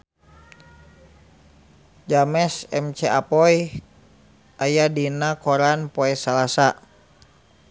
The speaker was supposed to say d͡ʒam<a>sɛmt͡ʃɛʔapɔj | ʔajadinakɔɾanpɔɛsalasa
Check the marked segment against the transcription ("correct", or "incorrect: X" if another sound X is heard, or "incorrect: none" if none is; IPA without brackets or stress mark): incorrect: ɛ